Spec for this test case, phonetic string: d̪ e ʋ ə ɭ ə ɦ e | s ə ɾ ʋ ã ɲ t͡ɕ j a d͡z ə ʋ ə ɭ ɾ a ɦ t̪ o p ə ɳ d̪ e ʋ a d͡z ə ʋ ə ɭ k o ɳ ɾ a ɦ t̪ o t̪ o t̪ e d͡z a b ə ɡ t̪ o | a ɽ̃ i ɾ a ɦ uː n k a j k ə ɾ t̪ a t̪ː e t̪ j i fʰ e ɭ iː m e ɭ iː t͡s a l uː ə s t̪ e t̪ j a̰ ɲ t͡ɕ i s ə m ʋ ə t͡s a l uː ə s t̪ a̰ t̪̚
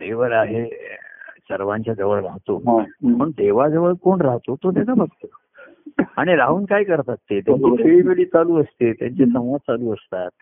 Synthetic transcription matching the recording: d̪ e ʋ ə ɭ a ɦ e | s ə ɾ ʋ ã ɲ t͡ɕ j a d͡z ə ʋ ə ɭ ɾ a ɦ t̪ o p ə ɳ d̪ e ʋ a d͡z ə ʋ ə ɭ k o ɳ ɾ a ɦ t̪ o t̪ o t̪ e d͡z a b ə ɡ t̪ o | a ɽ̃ i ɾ a ɦ uː n k a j k ə ɾ t̪ a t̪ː e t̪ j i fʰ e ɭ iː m e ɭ iː t͡s a l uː ə s t̪ e t̪ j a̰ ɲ t͡ɕ e s ə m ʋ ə t͡s a l uː ə s t̪ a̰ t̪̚